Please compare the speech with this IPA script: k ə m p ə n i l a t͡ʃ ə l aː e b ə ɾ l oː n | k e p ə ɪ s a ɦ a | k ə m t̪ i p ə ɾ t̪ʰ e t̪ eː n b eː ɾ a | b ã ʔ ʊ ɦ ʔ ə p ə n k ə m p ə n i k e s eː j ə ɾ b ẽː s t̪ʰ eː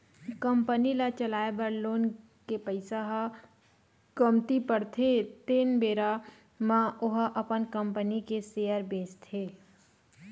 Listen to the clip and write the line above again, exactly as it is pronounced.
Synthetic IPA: k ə m p ə n i l a t͡ʃ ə l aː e b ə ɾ l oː n | k e p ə ɪ s a ɦ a | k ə m t̪ i p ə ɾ t̪ʰ e t̪ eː n b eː ɾ a | m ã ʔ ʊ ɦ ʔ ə p ə n k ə m p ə n i k e s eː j ə ɾ b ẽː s t̪ʰ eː